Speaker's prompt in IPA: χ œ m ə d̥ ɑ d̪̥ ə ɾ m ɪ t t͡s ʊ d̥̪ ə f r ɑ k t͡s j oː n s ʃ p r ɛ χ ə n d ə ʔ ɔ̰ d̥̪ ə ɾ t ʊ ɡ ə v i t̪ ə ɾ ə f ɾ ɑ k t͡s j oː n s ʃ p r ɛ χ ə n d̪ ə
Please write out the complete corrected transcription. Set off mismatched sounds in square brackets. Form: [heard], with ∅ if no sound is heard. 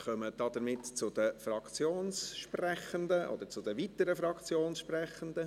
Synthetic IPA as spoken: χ œ m ə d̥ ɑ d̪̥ ə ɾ m ɪ t t͡s ʊ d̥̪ ə f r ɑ k t͡s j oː n s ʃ p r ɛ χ ə n d ə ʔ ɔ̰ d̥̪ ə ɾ [t͡s] ʊ [d] ə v i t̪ ə ɾ ə f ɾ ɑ k t͡s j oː n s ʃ p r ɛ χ ə n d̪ ə

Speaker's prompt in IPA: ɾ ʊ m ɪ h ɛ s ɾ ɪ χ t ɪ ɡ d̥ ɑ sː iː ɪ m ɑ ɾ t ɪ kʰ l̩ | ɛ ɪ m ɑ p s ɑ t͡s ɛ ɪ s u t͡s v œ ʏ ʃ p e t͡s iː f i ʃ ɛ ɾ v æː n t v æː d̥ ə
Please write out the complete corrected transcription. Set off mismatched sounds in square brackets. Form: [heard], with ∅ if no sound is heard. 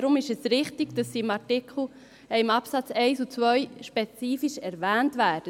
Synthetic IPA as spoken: ɾ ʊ m ɪ [ʃ] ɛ s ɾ ɪ χ t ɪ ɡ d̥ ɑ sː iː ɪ m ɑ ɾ t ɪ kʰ l̩ | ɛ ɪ m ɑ p s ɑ t͡s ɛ ɪ s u t͡s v œ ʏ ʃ p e t͡s iː f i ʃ ɛ ɾ v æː n t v æː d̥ ə

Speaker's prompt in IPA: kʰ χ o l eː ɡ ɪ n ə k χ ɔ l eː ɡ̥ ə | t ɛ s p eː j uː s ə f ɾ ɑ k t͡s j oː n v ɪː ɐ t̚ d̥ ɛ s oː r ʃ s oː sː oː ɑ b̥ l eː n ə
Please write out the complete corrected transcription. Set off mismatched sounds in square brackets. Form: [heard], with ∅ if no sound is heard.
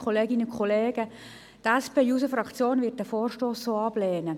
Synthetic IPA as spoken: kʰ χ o l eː ɡ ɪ n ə k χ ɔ l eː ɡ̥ ə | t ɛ s p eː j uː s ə f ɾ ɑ k t͡s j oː n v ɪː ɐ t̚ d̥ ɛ [f] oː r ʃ [t] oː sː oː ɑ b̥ l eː n ə

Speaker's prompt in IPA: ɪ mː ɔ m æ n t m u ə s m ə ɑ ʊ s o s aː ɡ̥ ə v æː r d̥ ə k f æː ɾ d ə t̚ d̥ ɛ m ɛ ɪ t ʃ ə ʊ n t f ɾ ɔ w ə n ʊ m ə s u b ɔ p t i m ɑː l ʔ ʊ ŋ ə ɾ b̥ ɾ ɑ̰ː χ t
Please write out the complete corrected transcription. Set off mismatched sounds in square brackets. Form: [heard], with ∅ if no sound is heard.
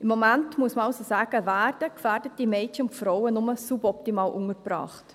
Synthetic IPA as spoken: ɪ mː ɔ m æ n t m u ə s m ə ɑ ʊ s o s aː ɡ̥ ə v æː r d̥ ə k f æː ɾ d ə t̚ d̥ [i] m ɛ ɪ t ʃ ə ʊ n t f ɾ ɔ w ə n ʊ m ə s u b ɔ p t i m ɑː l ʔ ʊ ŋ ə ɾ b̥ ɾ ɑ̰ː χ t

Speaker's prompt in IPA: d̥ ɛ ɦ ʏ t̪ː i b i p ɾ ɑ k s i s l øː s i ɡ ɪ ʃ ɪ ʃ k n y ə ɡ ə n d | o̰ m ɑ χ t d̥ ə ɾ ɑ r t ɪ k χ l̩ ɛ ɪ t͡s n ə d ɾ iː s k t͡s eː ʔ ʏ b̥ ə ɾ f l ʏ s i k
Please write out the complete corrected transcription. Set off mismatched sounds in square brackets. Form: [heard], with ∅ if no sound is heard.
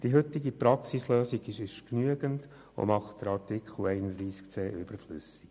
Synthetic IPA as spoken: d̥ [i] ɦ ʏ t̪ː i [ɡ] i p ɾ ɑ k s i s l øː s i ɡ ɪ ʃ ɪ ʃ k n y ə ɡ ə n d | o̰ m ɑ χ t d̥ ə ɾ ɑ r t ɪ k χ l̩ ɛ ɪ [∅] n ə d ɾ iː s k t͡s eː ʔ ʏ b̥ ə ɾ f l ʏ s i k

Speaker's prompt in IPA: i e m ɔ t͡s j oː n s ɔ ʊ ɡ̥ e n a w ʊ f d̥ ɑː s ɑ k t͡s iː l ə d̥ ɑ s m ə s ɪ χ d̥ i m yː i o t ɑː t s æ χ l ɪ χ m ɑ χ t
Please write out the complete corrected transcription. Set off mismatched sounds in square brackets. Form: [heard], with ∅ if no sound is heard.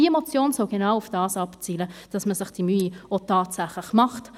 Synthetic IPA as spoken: i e m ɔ t͡s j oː n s ɔ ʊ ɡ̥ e n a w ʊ f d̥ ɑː s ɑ [p] t͡s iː l ə d̥ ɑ s m ə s ɪ χ d̥ i m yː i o t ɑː t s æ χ l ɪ χ m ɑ χ t

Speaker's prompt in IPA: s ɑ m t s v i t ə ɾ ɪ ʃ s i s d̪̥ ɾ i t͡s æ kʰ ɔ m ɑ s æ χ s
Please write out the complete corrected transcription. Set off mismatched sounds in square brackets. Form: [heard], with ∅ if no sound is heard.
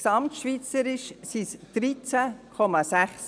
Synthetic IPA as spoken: s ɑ m t [ʃ] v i [t͡s] ə ɾ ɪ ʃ s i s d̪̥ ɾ i t͡s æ kʰ ɔ m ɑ s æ χ s

